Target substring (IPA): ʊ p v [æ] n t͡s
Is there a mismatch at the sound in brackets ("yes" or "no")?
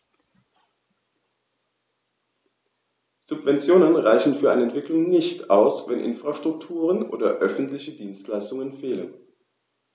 yes